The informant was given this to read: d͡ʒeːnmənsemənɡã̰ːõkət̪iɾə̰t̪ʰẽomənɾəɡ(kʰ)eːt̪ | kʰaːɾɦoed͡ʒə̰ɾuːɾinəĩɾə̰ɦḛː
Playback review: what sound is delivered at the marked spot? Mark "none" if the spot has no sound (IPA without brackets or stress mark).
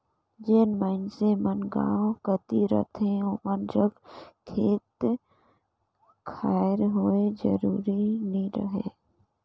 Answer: kʰ